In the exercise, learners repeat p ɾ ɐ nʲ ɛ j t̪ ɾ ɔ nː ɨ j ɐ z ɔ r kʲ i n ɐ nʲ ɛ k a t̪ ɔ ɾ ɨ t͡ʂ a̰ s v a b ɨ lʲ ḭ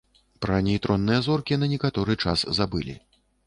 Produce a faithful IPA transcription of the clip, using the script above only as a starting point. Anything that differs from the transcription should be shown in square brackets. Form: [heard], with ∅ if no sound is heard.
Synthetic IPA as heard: p ɾ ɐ nʲ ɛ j t̪ ɾ ɔ nː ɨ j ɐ z ɔ r kʲ i n ɐ nʲ ɛ k a t̪ ɔ ɾ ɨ t͡ʂ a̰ s [z] a b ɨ lʲ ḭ

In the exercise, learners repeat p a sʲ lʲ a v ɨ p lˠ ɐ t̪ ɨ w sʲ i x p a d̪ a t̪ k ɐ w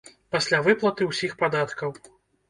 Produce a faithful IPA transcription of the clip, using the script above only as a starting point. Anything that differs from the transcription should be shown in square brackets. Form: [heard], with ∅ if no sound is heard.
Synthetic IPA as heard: p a sʲ lʲ a v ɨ p lˠ ɐ t̪ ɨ w sʲ i x p a d̪ a t̪ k ɐ w

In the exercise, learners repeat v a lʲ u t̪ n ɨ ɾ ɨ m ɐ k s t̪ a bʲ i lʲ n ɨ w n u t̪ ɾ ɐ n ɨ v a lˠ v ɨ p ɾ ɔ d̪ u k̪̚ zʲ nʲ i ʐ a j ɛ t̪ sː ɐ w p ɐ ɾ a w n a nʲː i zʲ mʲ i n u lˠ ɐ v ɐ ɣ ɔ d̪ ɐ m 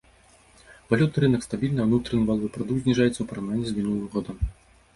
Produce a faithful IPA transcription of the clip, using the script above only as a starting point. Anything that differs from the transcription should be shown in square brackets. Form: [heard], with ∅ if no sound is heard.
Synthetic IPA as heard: v a lʲ u t̪ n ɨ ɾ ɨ [n] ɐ k s t̪ a bʲ i lʲ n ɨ w n u t̪ ɾ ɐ n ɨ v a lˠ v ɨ p ɾ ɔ d̪ u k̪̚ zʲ nʲ i ʐ a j ɛ t̪ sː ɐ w p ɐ ɾ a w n a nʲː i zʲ mʲ i n u lˠ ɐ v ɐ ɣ ɔ d̪ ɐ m

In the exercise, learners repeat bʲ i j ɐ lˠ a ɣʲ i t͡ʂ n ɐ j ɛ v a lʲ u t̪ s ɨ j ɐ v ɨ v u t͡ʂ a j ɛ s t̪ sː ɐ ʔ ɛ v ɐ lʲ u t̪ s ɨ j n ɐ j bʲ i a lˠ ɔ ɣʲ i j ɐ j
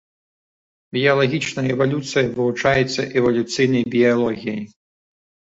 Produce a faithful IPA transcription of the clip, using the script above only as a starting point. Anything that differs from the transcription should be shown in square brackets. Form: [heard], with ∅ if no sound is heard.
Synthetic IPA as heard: bʲ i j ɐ lˠ a ɣʲ i t͡ʂ n ɐ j ɛ v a lʲ u t̪ s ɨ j ɐ v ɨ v u t͡ʂ a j ɛ [∅] t̪ sː ɐ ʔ ɛ v ɐ lʲ u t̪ s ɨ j n ɐ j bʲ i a lˠ ɔ ɣʲ i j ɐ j

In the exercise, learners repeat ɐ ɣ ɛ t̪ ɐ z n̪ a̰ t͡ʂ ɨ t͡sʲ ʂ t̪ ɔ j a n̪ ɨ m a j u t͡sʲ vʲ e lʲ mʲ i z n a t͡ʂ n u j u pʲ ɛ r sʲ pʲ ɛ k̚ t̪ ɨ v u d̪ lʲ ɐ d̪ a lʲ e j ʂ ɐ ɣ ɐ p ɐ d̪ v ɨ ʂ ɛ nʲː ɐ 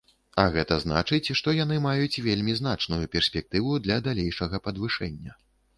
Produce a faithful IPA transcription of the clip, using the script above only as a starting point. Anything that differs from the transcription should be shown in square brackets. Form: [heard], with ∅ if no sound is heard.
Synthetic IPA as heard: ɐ ɣ ɛ t̪ ɐ z n̪ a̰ t͡ʂ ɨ t͡sʲ ʂ t̪ ɔ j a n̪ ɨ m a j u t͡sʲ vʲ e lʲ mʲ i z n a t͡ʂ n u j u pʲ ɛ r sʲ pʲ ɛ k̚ t̪ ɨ v u d̪ lʲ ɐ d̪ a lʲ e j ʂ ɐ ɣ ɐ p ɐ d̪ v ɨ ʂ ɛ nʲː ɐ

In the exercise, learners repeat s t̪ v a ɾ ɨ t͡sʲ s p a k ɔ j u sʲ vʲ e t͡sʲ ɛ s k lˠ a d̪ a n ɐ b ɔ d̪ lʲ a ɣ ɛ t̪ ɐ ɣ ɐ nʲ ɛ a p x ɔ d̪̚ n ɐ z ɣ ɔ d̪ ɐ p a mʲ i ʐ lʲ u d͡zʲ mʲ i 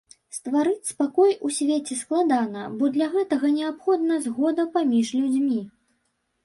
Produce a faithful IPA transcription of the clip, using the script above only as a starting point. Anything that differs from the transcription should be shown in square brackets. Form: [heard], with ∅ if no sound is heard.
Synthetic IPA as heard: s t̪ v a ɾ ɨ t͡sʲ s p a k ɔ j u sʲ vʲ e t͡sʲ ɛ s k lˠ a d̪ a n ɐ b ɔ d̪ lʲ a ɣ ɛ t̪ ɐ ɣ ɐ nʲ ɛ a p x ɔ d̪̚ n ɐ z ɣ ɔ d̪ ɐ p a mʲ i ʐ lʲ u d͡zʲ mʲ i

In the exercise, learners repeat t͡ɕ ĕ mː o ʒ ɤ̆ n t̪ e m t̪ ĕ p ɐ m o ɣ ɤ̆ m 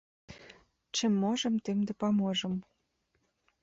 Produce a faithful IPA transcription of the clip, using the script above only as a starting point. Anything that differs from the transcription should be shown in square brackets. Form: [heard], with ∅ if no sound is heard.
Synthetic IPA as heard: t͡ɕ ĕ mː o ʒ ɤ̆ [m] t̪ e m [d̪] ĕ p [ɑ] m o [ʒ] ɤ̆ m

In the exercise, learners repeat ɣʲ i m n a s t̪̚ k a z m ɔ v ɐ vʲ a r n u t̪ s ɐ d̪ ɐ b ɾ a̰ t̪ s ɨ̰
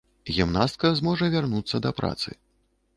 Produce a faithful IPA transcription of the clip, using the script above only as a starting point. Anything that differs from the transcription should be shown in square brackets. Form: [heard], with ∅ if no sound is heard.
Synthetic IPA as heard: ɣʲ i m n a s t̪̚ k [ɐ] z m ɔ [ʐ] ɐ vʲ a r n u t̪ [sː] ɐ d̪ ɐ [p] ɾ a̰ t̪ s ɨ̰

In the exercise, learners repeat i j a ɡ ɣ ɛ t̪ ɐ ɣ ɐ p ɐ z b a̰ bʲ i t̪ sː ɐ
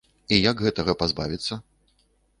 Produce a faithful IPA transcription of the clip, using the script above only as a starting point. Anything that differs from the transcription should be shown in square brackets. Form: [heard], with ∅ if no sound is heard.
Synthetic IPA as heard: i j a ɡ ɣ ɛ t̪ ɐ ɣ ɐ p [a] z b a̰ [vʲ] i t̪ sː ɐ

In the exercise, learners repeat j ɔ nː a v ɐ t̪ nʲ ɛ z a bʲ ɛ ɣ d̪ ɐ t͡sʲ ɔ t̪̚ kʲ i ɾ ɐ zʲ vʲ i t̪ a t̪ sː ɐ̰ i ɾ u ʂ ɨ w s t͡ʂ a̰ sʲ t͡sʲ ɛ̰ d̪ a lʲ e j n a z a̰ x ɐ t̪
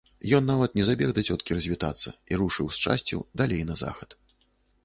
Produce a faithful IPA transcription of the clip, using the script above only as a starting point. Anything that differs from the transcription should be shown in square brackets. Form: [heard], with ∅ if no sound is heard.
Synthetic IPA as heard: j ɔ nː a v ɐ t̪ nʲ ɛ z a bʲ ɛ ɣ d̪ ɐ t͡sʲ ɔ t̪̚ kʲ i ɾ ɐ zʲ vʲ i t̪ a t̪ sː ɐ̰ i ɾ u ʂ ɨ w s t͡ʂ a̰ sʲ t͡sʲ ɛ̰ d̪ a lʲ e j n [ɐ] z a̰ x ɐ t̪

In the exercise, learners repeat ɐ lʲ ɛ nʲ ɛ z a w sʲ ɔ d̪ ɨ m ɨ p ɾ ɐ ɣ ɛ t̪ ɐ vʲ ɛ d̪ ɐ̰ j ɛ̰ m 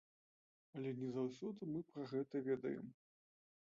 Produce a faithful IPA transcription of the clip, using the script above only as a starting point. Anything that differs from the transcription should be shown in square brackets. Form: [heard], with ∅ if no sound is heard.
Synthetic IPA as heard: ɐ lʲ ɛ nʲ ɛ z a w sʲ ɔ d̪ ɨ m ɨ p ɾ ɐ ɣ ɛ t̪ ɐ vʲ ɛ d̪ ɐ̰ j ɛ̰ m

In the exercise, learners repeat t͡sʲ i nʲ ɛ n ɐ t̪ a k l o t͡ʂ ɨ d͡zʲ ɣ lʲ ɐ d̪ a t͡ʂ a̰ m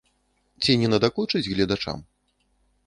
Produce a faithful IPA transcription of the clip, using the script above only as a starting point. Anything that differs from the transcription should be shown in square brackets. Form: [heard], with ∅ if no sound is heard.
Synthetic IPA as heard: t͡sʲ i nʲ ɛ n ɐ [d̪] a k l [u] t͡ʂ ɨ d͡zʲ ɣ lʲ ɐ d̪ a t͡ʂ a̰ m

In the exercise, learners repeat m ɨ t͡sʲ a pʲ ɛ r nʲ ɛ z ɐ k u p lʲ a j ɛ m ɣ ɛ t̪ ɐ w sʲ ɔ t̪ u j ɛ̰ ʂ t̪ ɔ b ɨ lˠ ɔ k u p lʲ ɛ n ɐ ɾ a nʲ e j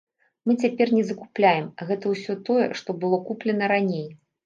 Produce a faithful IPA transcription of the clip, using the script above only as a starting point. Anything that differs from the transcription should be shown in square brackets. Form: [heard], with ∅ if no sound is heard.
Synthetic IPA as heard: m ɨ t͡sʲ a pʲ ɛ r nʲ ɛ z ɐ k u p lʲ a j ɛ m ɣ ɛ t̪ ɐ w sʲ ɔ t̪ [ɔ] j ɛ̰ ʂ t̪ ɔ b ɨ lˠ ɔ k u p lʲ ɛ n ɐ ɾ a nʲ e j

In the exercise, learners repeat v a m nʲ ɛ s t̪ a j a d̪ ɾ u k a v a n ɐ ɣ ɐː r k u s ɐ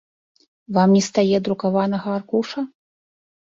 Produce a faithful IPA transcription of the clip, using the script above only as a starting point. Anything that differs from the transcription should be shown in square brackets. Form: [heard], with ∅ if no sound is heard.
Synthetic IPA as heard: v a m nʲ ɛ s t̪ a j [ɛ] d̪ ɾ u k a v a n ɐ ɣ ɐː r k u [ʂ] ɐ

